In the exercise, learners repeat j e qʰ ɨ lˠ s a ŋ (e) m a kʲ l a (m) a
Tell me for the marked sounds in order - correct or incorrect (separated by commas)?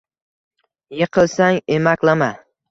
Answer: correct, correct